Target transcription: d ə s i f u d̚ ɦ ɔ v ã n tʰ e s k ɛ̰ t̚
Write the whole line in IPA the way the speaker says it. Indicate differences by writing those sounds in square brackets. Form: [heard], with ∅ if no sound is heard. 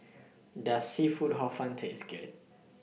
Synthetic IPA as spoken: d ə s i f u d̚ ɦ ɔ [f] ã n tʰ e s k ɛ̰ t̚